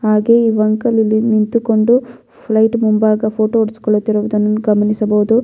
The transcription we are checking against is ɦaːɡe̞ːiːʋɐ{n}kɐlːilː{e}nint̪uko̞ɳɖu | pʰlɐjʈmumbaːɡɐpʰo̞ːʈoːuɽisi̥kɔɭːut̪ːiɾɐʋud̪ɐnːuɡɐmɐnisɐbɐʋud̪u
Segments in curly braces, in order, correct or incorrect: incorrect: ŋ, incorrect: i

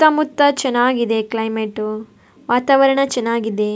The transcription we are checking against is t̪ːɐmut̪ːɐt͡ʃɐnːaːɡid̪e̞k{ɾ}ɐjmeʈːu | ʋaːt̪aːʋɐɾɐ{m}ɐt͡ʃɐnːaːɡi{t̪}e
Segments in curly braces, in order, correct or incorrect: incorrect: l, incorrect: ɳ, incorrect: d̪

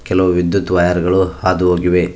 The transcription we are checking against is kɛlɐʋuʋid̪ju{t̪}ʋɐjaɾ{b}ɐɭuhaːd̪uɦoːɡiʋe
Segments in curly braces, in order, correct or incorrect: correct, incorrect: ɡ

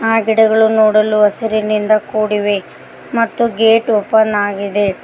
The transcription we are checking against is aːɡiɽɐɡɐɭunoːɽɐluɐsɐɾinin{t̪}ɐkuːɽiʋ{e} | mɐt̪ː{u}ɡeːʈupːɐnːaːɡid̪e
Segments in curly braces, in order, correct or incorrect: incorrect: d̪, correct, correct

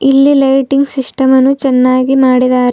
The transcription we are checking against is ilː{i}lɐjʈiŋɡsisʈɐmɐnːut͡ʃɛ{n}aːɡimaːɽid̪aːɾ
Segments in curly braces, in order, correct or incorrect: correct, incorrect: nː

